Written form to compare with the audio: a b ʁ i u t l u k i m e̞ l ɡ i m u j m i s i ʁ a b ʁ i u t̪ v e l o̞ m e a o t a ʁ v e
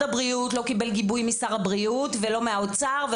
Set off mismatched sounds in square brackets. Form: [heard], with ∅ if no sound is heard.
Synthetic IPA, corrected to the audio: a b ʁ i u t l [o] k i [b] e̞ l ɡ i [b] u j m i s [a] ʁ a b ʁ i u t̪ v e l o̞ m e a o [t͡s] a ʁ v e